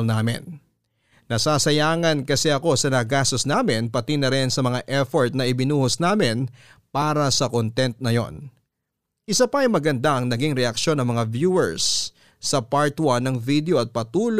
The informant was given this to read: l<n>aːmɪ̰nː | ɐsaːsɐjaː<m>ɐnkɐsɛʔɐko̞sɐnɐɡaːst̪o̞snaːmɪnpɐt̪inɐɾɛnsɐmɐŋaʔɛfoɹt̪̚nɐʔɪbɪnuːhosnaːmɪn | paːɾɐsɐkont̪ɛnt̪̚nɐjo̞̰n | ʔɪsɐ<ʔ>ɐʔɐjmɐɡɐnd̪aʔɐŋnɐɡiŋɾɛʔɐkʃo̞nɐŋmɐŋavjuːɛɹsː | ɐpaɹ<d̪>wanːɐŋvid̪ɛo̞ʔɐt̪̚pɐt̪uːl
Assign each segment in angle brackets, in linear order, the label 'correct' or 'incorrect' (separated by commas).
correct, incorrect, incorrect, incorrect